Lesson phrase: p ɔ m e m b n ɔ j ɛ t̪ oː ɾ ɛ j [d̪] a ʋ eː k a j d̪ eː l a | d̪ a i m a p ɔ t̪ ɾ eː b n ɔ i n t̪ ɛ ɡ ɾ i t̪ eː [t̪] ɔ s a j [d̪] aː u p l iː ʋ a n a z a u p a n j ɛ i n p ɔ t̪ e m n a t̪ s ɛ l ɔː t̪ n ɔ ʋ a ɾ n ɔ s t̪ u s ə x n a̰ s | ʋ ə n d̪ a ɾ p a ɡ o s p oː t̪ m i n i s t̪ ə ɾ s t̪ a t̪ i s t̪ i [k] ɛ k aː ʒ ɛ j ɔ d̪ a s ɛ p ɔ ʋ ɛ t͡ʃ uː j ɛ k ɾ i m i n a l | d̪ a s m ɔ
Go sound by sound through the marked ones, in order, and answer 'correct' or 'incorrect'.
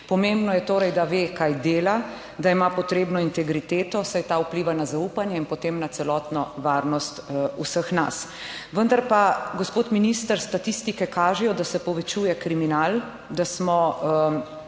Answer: correct, correct, incorrect, correct

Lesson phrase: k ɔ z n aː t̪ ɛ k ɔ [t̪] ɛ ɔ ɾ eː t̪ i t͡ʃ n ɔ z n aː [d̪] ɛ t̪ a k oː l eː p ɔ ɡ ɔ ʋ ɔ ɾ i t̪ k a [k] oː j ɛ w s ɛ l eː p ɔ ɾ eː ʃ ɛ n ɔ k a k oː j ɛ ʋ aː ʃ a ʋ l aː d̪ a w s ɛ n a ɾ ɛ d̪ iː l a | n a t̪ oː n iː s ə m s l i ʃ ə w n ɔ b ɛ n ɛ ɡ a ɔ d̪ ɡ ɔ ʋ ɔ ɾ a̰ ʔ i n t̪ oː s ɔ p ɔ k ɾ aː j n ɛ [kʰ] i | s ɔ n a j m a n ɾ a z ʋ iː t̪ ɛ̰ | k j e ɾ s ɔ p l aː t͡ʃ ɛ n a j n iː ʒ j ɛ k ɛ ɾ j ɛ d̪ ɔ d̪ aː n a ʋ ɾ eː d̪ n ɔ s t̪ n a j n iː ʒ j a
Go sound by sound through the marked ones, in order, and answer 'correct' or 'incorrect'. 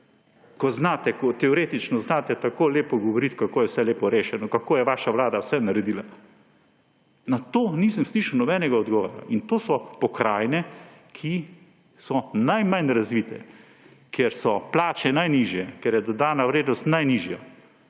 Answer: correct, incorrect, correct, correct

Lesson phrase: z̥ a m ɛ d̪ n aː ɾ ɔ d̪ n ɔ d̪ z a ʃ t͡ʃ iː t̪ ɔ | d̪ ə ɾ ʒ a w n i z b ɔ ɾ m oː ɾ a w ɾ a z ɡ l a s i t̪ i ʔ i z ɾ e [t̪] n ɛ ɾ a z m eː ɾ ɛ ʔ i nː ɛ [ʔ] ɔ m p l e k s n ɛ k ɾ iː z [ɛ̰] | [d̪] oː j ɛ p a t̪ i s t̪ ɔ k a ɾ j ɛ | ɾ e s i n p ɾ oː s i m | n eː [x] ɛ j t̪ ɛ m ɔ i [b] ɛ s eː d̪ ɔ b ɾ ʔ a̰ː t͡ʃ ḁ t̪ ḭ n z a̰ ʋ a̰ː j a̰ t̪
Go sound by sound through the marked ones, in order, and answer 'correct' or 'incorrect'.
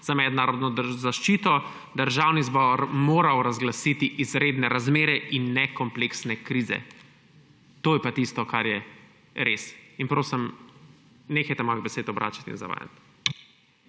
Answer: incorrect, incorrect, correct, incorrect, correct, correct

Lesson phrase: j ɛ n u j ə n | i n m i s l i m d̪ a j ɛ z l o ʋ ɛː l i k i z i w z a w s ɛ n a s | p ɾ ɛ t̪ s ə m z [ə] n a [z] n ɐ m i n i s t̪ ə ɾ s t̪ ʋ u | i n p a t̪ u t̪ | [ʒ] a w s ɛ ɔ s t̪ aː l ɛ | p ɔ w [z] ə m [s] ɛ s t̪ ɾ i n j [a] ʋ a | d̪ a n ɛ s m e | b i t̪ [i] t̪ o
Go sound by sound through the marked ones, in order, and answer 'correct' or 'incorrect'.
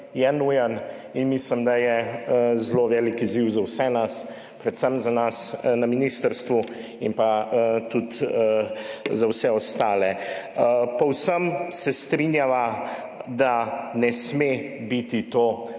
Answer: incorrect, incorrect, incorrect, incorrect, correct, correct, correct

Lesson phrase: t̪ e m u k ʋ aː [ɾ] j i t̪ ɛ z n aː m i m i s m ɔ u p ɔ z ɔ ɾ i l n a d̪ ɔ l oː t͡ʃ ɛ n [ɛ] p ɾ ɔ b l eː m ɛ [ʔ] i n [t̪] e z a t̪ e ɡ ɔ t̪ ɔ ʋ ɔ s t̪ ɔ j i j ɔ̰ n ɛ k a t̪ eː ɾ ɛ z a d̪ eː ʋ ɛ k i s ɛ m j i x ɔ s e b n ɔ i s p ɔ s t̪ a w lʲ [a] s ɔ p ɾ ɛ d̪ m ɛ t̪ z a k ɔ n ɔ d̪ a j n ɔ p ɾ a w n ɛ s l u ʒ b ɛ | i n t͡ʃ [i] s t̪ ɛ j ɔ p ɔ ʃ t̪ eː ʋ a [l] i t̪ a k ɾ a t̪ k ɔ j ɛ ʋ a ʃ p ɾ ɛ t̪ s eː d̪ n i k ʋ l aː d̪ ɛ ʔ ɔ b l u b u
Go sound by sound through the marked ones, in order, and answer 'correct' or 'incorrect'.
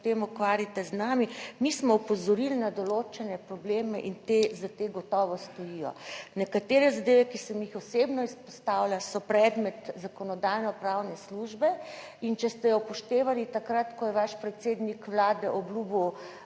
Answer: correct, correct, correct, correct, correct, incorrect, correct

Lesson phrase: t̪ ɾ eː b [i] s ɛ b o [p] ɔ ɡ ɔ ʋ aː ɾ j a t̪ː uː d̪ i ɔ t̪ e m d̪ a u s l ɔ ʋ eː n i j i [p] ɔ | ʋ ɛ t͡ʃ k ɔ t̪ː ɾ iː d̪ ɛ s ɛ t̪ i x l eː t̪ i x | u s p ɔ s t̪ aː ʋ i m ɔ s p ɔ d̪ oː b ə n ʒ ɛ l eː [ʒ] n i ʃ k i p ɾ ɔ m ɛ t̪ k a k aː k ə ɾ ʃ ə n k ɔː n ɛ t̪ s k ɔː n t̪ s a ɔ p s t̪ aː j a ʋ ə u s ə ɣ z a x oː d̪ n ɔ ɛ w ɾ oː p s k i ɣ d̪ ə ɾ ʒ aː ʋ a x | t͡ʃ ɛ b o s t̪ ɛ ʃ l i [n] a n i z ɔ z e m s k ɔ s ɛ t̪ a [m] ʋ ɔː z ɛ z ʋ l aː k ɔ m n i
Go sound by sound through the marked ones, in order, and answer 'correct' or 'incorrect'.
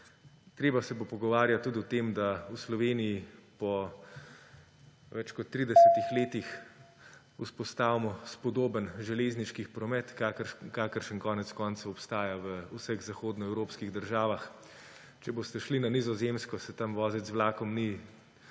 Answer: incorrect, correct, correct, incorrect, correct, correct

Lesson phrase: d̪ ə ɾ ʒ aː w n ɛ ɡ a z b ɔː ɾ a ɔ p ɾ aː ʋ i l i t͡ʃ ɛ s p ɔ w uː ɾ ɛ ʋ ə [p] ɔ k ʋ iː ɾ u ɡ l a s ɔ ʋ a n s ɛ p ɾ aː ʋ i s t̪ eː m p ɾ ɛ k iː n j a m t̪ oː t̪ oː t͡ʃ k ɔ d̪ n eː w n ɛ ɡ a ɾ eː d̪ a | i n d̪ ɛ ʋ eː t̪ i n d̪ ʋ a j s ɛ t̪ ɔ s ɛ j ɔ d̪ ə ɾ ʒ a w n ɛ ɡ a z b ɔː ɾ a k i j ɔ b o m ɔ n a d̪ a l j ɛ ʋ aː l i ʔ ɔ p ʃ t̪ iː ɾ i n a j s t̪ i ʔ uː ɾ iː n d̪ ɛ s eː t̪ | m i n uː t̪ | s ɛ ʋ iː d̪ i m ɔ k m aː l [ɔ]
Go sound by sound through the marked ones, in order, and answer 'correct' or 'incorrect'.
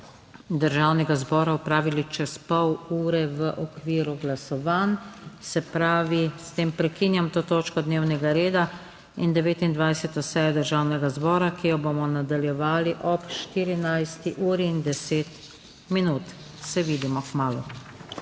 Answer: incorrect, incorrect

